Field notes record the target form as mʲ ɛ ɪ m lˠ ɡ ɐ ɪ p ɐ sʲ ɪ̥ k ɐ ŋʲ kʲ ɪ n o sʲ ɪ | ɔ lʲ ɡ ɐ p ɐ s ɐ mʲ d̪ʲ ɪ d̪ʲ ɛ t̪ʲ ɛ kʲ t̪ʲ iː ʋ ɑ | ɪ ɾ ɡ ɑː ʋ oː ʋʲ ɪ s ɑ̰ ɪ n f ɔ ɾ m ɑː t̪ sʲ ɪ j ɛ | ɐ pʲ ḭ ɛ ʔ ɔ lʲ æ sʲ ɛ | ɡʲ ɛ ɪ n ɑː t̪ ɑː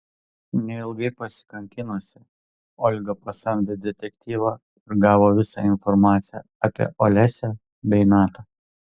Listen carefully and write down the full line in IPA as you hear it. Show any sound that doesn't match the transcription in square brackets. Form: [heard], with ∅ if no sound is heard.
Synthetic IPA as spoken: [nʲ] ɛ ɪ [∅] lˠ ɡ ɐ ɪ p ɐ sʲ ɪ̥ k ɐ ŋʲ kʲ ɪ n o sʲ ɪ | ɔ lʲ ɡ ɐ p ɐ s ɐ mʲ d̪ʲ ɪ d̪ʲ ɛ t̪ʲ ɛ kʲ t̪ʲ iː ʋ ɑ | ɪ ɾ ɡ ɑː ʋ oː ʋʲ ɪ s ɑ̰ ɪ n f ɔ ɾ m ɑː t̪ sʲ ɪ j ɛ | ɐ pʲ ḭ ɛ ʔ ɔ lʲ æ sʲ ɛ | [bʲ] ɛ ɪ n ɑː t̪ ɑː